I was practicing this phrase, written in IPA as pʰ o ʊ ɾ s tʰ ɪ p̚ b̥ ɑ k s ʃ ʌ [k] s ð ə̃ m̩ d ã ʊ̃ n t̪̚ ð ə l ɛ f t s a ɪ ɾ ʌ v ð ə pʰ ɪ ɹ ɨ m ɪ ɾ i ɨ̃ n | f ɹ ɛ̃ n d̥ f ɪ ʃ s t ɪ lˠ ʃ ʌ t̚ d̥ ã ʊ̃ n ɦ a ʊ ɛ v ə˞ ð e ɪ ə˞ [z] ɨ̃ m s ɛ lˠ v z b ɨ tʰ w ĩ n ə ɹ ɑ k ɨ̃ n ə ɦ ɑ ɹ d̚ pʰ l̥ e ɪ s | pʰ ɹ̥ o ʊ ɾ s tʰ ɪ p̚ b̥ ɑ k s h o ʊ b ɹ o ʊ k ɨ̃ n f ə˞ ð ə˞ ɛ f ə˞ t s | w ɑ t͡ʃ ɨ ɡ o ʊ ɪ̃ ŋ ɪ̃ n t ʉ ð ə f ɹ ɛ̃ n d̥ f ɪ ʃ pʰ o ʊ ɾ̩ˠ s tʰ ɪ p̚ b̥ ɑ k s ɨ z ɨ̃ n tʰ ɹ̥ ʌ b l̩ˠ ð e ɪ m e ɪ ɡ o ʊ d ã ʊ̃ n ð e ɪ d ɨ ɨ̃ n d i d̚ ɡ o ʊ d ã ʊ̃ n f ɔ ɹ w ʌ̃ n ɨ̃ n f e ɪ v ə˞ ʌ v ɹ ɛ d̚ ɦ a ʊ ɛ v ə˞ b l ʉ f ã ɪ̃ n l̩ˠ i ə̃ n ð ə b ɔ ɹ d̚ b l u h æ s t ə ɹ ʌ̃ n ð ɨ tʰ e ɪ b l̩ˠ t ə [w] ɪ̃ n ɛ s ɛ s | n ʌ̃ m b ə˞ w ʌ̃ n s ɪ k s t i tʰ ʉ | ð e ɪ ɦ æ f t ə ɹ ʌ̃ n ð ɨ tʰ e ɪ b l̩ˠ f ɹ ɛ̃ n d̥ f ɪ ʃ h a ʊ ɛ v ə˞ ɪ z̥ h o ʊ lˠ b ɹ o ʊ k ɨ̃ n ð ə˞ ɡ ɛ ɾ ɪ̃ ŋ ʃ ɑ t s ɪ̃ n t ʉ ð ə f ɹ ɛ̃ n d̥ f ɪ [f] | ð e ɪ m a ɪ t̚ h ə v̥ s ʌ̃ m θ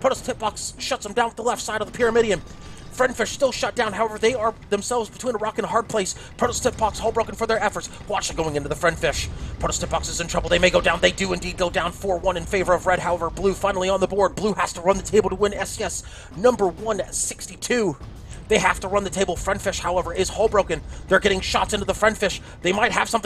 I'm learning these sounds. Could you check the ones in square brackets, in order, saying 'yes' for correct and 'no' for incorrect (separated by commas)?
no, no, yes, no